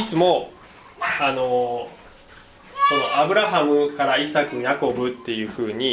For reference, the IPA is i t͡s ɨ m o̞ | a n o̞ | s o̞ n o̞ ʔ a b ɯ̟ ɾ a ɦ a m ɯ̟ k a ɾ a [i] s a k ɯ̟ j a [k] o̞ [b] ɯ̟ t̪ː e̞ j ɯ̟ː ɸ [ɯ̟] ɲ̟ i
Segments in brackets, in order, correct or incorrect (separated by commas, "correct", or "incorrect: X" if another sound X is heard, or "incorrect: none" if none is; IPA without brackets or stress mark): correct, correct, correct, incorrect: ɯ̟ː